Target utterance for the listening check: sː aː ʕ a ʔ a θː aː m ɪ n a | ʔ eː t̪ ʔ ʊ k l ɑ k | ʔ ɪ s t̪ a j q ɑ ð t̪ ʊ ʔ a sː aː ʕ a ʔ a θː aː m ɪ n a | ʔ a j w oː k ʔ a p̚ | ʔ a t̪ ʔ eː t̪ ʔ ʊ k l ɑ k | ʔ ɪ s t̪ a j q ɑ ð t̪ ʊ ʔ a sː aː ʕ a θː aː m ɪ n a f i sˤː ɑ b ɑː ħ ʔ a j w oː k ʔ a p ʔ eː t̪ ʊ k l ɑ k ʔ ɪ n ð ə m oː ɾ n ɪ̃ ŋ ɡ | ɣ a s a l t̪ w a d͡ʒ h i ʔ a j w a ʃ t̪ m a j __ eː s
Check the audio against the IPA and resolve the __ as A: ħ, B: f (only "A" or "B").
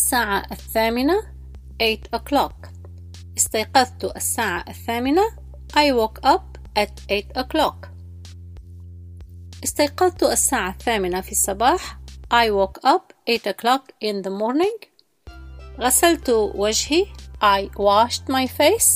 B